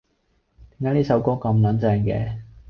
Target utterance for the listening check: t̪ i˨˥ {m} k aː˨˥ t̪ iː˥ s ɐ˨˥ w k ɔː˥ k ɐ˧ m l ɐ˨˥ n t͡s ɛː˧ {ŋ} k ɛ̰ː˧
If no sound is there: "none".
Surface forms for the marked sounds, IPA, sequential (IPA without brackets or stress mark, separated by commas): ŋ, ŋ